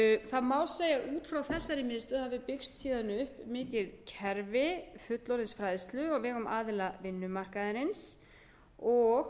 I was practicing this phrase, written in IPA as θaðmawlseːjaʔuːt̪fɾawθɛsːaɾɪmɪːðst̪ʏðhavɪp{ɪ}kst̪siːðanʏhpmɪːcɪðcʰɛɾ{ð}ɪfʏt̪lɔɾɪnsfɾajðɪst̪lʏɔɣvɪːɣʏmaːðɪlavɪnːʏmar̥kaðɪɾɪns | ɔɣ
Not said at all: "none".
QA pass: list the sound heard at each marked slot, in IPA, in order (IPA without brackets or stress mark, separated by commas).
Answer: ɪ, v